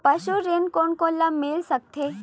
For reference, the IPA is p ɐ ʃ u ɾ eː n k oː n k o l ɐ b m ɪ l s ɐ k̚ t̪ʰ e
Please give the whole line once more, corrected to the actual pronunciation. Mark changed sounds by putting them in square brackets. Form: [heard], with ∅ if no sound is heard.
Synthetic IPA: p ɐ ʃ u ɾ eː n k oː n k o l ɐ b m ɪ l s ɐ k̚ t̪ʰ e